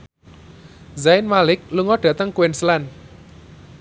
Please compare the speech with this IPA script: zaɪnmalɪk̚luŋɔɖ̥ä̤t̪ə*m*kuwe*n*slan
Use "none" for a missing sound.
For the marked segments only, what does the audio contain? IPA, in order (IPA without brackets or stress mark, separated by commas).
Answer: ŋ, n